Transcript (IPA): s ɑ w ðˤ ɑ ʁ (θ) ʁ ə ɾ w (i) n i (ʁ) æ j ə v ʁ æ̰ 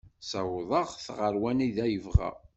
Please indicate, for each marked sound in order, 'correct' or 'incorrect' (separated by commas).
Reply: correct, incorrect, incorrect